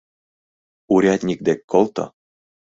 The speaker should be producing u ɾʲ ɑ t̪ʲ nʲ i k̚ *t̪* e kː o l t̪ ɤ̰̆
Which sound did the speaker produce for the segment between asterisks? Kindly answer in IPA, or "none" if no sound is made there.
d̪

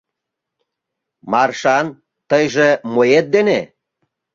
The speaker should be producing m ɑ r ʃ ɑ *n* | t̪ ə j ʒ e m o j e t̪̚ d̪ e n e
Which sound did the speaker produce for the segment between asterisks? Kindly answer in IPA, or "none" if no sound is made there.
n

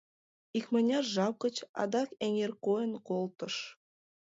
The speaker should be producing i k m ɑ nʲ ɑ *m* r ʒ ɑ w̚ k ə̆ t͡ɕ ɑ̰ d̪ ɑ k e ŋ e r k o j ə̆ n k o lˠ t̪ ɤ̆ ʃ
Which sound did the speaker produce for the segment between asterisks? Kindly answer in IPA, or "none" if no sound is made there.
none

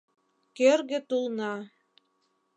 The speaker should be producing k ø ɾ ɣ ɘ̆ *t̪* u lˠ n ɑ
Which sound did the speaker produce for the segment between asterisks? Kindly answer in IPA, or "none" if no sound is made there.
t̪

